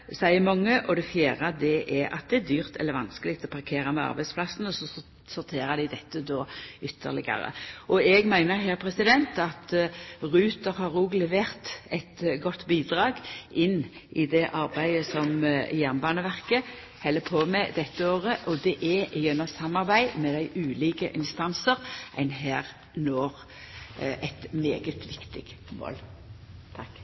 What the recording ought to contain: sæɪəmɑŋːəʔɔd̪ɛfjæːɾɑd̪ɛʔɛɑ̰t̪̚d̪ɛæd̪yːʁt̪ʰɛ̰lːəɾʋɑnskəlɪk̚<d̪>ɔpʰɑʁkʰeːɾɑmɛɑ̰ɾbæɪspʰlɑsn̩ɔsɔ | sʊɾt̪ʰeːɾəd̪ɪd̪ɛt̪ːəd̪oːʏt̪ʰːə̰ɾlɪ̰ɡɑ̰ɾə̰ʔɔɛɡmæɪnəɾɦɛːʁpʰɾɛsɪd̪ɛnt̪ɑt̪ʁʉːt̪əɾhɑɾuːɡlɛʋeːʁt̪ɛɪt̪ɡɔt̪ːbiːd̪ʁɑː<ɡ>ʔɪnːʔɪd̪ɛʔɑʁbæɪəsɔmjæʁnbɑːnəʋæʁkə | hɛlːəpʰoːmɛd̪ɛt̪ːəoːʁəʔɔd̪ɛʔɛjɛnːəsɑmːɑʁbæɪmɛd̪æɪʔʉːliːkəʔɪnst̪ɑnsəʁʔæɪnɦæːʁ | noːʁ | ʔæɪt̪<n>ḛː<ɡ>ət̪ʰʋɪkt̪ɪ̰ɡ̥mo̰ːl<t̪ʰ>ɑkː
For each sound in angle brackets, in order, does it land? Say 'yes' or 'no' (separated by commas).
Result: no, yes, no, yes, yes